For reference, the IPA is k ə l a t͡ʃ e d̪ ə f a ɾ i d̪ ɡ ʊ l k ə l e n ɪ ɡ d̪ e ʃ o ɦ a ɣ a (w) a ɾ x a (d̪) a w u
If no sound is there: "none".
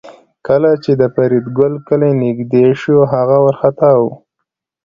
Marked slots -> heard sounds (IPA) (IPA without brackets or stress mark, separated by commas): w, t̪